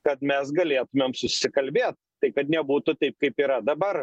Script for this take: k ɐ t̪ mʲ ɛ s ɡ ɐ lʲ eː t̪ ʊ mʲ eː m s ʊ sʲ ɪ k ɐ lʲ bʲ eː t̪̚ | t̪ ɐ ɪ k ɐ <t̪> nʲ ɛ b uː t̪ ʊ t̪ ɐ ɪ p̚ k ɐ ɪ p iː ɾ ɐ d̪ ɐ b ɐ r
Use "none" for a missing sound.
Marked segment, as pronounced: t̪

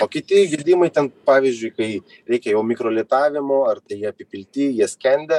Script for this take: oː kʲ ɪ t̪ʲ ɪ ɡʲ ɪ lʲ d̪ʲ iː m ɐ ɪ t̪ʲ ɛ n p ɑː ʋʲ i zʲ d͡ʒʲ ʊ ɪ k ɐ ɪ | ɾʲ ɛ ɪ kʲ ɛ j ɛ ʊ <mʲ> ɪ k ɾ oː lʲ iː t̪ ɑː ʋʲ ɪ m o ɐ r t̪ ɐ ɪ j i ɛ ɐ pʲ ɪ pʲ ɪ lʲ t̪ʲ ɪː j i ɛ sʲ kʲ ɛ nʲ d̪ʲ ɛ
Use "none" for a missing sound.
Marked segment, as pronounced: mʲ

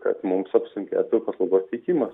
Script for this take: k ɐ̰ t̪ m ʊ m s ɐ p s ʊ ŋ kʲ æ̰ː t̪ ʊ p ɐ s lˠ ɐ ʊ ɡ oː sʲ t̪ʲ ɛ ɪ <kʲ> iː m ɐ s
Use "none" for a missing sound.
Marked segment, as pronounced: kʲ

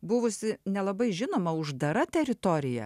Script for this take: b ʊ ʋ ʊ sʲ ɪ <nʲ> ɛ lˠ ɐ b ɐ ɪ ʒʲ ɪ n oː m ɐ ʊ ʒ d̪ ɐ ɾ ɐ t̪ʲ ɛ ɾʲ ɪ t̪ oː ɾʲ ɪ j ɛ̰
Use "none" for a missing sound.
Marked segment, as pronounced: nʲ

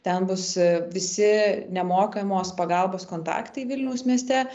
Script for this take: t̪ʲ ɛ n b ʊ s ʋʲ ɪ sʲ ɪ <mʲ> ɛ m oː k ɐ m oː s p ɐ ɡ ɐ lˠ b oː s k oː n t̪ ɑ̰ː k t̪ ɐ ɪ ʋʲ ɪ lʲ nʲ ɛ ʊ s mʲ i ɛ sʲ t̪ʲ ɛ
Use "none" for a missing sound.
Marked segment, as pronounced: nʲ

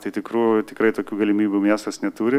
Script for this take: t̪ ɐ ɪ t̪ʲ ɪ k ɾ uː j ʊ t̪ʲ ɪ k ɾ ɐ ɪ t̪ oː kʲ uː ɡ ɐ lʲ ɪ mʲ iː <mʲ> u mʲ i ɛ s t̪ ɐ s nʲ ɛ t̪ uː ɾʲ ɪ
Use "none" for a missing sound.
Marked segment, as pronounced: bʲ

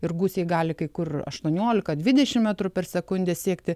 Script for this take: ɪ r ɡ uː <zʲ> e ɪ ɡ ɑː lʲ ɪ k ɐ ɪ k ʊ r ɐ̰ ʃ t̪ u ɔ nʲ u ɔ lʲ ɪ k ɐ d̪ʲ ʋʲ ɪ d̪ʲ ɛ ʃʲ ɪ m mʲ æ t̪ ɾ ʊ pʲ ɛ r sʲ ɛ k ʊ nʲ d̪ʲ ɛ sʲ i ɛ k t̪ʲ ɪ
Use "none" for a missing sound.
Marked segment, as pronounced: sʲ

